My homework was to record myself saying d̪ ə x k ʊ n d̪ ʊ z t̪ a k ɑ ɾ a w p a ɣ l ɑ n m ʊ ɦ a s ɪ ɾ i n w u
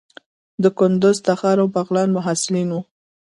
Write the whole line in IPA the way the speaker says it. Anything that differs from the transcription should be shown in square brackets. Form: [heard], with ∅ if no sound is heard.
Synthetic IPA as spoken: d̪ ə [∅] k ʊ n d̪ ʊ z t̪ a [x] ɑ ɾ a w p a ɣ l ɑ n m ʊ ɦ a s ɪ [l] i n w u